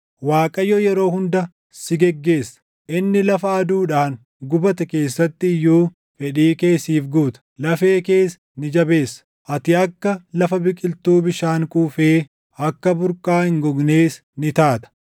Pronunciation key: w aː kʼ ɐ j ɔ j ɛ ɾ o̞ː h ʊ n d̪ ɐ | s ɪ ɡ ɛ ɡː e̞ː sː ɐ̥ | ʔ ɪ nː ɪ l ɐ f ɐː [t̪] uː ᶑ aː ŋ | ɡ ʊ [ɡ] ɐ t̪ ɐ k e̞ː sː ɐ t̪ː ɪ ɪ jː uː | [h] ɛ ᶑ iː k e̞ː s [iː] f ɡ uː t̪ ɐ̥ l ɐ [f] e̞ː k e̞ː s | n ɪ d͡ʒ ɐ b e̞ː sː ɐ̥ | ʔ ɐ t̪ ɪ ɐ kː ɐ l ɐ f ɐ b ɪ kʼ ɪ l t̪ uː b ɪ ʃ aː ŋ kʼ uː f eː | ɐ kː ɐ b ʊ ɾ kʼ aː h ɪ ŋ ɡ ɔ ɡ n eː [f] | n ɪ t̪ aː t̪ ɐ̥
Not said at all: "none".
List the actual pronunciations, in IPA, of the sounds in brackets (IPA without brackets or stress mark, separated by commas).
d̪, b, f, iː, f, s